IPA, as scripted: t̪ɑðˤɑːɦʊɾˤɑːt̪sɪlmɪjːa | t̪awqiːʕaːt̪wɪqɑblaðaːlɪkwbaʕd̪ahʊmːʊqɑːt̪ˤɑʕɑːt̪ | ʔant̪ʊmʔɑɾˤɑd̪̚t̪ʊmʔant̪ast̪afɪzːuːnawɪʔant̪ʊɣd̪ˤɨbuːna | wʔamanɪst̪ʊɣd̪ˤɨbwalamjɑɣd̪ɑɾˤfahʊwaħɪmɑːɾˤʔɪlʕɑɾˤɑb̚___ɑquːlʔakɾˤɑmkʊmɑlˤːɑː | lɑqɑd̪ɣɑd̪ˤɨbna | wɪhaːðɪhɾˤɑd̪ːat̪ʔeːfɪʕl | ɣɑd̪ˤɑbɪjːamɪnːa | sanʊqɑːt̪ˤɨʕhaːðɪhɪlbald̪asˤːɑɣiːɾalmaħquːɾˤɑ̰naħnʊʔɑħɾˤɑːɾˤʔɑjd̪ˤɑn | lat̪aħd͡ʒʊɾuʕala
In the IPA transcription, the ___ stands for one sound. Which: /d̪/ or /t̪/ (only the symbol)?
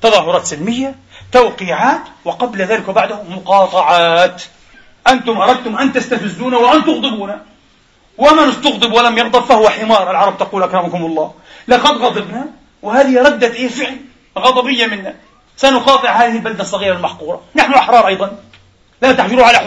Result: t̪